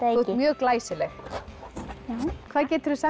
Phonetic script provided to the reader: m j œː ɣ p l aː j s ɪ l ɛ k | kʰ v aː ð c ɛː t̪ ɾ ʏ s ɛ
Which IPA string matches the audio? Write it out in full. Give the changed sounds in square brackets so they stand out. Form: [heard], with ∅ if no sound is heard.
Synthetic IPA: m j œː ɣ [k] l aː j s ɪ l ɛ [x] | kʰ v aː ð c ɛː t̪ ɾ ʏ s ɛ